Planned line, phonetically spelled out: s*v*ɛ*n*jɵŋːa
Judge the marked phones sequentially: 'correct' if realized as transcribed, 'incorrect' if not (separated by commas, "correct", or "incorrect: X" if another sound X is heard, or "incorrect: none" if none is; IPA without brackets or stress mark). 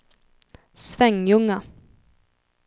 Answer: correct, incorrect: ŋ